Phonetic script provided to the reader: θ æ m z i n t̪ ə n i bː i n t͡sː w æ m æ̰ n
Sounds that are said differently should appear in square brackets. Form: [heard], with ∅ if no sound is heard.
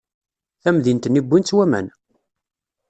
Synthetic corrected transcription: θ æ m [ð] i n t̪ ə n i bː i n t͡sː w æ m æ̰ n